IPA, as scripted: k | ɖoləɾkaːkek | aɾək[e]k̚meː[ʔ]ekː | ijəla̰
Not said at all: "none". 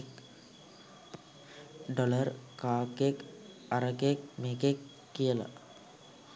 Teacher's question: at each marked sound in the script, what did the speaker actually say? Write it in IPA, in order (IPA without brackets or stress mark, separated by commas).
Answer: e, k